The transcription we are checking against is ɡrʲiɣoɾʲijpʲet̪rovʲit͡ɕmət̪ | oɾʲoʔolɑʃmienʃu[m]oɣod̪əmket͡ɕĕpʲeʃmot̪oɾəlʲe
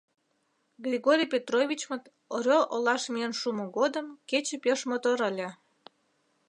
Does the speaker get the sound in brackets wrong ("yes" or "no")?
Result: no